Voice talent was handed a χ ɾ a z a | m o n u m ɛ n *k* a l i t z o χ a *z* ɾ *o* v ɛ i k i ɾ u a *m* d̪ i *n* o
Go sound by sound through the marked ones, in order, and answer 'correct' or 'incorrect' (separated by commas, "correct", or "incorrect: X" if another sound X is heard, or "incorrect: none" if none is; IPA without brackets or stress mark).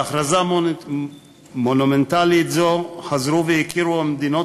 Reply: incorrect: t, correct, incorrect: u, correct, correct